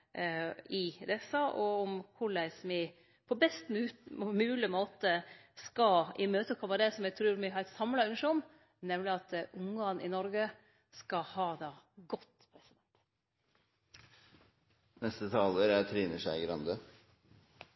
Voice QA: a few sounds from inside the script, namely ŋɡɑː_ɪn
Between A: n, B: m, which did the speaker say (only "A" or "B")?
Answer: A